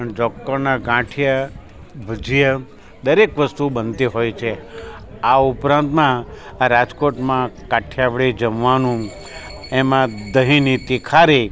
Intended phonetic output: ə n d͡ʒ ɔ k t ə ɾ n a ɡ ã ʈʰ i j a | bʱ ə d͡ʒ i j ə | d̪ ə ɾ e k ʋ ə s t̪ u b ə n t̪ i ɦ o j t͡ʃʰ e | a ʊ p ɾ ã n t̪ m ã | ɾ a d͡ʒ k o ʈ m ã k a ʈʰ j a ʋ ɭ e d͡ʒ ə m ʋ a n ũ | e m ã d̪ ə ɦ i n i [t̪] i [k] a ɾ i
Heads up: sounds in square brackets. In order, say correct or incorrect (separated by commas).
correct, incorrect